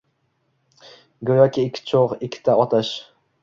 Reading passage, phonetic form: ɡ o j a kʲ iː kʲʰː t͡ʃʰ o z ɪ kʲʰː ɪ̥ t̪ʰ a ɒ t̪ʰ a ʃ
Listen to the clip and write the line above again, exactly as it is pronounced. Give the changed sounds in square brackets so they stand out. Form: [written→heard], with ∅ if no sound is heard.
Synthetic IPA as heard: ɡ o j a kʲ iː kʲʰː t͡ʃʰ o [z→ʁ] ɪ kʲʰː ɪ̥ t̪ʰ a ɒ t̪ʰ a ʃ